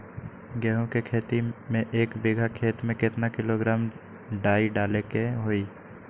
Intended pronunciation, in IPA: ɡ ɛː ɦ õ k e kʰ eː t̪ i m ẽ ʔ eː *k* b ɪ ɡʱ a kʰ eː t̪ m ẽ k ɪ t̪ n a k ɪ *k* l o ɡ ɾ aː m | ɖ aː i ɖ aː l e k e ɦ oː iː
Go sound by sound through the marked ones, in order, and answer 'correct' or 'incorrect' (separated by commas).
correct, incorrect